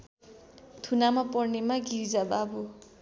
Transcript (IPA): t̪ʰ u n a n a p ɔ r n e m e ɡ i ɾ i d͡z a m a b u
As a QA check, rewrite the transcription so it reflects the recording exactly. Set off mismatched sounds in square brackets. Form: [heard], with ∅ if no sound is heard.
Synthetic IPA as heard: t̪ʰ u n a [m] a p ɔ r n e m [a] ɡ i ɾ i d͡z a [b] a b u